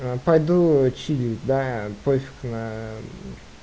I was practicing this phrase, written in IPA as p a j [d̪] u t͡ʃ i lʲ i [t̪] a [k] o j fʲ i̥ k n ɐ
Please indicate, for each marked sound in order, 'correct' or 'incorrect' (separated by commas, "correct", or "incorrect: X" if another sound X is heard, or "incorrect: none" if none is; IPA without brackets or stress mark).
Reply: correct, incorrect: d̪, incorrect: p